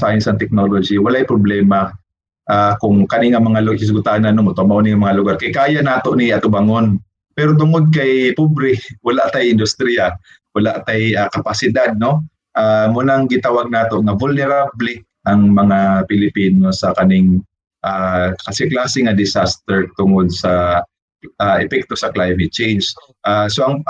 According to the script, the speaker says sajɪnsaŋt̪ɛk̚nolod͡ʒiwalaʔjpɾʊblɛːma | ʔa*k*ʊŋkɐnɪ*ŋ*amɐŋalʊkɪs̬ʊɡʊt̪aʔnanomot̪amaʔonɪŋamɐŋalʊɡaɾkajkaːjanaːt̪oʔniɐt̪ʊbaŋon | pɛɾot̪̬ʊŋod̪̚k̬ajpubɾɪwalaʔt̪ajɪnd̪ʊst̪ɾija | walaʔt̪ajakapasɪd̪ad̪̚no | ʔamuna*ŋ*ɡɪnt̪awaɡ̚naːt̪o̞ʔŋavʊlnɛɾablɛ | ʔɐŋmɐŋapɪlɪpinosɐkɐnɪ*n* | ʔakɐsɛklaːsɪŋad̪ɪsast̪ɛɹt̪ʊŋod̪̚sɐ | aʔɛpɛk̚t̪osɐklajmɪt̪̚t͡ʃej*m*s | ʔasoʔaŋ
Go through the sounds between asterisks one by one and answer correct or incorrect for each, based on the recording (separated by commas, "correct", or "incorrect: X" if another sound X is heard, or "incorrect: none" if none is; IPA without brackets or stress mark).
correct, correct, correct, incorrect: ŋ, incorrect: n